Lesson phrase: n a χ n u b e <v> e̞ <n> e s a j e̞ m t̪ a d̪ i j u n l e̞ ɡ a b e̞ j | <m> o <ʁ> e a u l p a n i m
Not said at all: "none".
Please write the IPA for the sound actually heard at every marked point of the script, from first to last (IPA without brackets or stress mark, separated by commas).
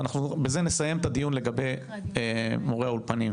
z, n, m, ʁ